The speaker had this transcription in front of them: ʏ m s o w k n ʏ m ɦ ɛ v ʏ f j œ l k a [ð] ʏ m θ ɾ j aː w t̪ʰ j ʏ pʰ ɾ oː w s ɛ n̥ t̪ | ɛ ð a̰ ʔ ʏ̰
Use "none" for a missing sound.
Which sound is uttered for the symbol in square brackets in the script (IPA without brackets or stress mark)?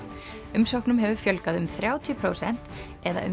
ð